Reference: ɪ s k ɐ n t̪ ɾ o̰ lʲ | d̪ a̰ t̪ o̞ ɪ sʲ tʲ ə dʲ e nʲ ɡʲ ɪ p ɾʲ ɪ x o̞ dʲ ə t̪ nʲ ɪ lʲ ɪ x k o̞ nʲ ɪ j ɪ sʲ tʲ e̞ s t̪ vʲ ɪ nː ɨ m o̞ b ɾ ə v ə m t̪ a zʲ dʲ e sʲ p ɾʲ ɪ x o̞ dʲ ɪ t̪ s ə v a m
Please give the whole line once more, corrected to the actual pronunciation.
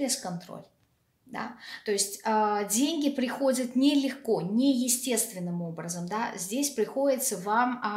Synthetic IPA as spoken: ɪ s k ɐ n t̪ ɾ o̰ lʲ | d̪ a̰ t̪ o̞ ɪ sʲ tʲ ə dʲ e nʲ ɡʲ ɪ p ɾʲ ɪ x o̞ dʲ ə t̪ nʲ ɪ lʲ ɪ x k o̞ nʲ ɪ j ɪ sʲ tʲ e̞ s t̪ vʲ ɪ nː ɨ m o̞ b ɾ ə z ə m d̪ a zʲ dʲ e sʲ p ɾʲ ɪ x o̞ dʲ ɪ t̪ s ə v a m

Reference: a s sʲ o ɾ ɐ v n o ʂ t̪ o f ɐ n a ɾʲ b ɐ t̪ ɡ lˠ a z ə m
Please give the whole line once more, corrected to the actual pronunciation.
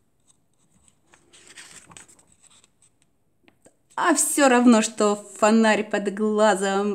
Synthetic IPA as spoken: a f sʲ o ɾ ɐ v n o ʂ t̪ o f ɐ n a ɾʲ p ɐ d̪ ɡ lˠ a z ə m

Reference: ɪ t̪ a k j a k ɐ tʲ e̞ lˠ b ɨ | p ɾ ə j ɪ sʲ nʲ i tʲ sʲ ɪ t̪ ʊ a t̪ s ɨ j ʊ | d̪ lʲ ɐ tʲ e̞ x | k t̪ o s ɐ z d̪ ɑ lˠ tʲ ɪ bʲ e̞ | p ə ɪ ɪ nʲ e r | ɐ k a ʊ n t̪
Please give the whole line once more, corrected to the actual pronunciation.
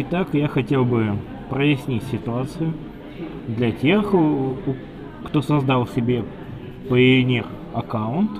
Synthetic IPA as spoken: ɪ t̪ a k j a x ɐ tʲ e̞ lˠ b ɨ | p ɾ ə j ɪ sʲ nʲ i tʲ sʲ ɪ t̪ ʊ a t̪ s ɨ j ʊ | d̪ lʲ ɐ tʲ e̞ x | k t̪ o s ɐ z d̪ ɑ lˠ sʲ ɪ bʲ e̞ | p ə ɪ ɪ nʲ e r | ɐ k a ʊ n t̪

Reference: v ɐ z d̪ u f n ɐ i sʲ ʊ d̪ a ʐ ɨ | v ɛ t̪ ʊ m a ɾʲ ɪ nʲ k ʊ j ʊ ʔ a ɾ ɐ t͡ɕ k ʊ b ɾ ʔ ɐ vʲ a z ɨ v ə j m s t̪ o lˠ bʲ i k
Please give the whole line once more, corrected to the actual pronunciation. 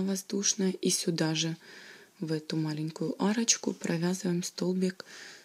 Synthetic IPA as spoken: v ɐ z d̪ u ʂ n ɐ i sʲ ʊ d̪ a ʐ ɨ | v ɛ t̪ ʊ m a lʲ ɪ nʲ k ʊ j ʊ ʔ a ɾ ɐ t͡ɕ k ʊ p ɾ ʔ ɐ vʲ a z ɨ v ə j m s t̪ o lˠ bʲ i k

